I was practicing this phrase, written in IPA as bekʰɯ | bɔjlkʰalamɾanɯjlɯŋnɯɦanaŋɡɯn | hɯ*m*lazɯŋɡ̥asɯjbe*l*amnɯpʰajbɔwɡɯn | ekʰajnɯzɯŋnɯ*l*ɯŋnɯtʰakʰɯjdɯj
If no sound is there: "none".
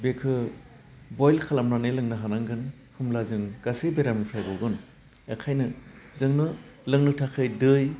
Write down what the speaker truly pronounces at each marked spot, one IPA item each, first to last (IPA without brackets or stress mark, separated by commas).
m, ɾ, l